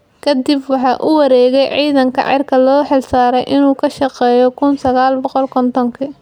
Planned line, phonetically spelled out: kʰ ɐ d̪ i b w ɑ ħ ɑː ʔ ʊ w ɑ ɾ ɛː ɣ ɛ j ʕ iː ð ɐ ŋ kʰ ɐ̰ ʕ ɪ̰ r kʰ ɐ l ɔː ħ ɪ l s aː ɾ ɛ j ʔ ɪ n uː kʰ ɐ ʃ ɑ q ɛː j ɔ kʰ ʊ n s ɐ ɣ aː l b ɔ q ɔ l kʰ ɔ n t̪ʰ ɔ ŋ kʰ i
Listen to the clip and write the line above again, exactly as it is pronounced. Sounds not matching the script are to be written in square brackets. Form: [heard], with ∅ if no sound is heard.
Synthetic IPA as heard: kʰ ɐ d̪ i b w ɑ ħ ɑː ʔ ʊ w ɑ ɾ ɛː ɣ ɛ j ʕ iː ð ɐ ŋ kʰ ɐ̰ ʕ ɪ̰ r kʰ ɐ l ɔː ħ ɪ l s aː ɾ ɛ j ʔ ɪ n uː kʰ ɐ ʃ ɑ q ɛː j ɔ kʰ ʊ n s ɐ ɣ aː l b ɔ q ɔ l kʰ ɔ n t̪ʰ ɔ ŋ kʰ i